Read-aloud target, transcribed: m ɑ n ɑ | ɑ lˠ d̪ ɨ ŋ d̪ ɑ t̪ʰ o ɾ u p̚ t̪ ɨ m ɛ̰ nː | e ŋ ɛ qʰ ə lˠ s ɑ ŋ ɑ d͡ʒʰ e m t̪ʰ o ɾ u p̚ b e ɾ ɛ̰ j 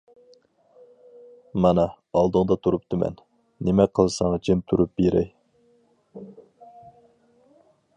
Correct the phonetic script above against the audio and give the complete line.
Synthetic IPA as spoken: m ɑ n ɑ | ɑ lˠ d̪ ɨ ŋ d̪ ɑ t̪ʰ u ɾ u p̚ t̪ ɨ m ɛ̰ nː | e m ɛ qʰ ə lˠ s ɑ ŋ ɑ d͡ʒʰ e m t̪ʰ u ɾ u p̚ b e ɾ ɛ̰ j